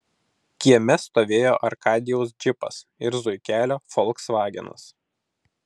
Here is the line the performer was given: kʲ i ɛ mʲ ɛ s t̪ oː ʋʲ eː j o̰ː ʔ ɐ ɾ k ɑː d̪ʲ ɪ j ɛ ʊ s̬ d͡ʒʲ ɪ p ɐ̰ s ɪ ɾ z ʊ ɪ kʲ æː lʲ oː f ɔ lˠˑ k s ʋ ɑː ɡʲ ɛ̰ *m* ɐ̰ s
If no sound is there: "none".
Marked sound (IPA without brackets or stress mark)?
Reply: n